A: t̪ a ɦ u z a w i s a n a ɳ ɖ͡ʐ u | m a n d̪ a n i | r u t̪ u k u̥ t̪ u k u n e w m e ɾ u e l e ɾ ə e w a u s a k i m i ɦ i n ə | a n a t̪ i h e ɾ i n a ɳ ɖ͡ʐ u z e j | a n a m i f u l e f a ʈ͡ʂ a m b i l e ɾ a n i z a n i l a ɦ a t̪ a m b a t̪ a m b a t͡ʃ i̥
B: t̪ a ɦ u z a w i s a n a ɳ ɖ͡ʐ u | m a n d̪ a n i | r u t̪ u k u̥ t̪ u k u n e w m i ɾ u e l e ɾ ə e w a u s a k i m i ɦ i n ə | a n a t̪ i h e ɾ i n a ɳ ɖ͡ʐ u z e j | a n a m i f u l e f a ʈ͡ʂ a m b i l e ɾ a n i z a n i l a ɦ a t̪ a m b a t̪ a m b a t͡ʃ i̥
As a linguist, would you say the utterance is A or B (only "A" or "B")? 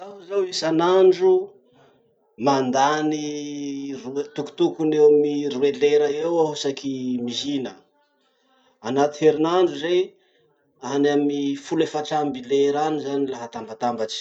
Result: B